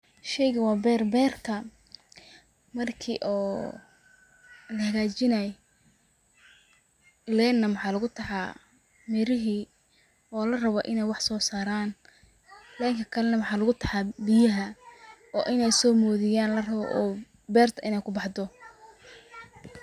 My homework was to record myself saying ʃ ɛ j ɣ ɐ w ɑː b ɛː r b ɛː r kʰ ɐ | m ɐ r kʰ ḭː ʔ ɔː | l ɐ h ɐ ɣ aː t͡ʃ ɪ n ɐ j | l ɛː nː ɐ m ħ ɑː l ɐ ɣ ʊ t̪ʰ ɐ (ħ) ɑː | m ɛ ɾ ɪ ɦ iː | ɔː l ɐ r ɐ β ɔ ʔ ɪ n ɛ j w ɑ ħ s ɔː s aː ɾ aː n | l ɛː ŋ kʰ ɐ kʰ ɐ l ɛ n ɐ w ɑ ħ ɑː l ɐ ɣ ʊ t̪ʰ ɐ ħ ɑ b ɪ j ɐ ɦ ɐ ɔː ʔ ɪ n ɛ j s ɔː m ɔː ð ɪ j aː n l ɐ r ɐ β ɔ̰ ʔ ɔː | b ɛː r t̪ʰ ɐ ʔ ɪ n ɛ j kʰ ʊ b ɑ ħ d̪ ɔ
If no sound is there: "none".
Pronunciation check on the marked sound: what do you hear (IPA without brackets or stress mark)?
ħ